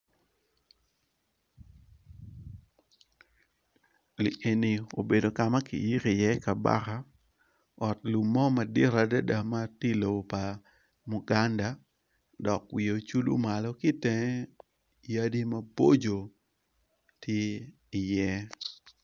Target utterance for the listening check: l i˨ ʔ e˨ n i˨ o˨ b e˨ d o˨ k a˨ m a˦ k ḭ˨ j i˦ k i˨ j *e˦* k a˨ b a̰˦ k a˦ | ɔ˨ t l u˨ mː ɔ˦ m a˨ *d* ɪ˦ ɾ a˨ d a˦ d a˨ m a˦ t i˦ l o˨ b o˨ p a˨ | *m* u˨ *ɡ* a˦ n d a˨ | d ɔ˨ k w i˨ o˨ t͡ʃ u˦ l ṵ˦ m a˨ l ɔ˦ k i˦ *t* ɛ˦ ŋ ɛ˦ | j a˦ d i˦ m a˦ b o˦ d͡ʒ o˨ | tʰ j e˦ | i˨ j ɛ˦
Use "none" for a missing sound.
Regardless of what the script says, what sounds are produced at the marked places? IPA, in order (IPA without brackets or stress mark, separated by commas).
ɛ˦, d, m, ɡ, t